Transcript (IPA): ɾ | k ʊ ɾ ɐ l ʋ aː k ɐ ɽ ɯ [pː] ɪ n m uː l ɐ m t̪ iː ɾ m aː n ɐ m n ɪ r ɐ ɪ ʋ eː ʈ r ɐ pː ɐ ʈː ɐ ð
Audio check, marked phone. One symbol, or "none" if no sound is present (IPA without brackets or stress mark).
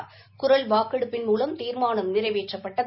pː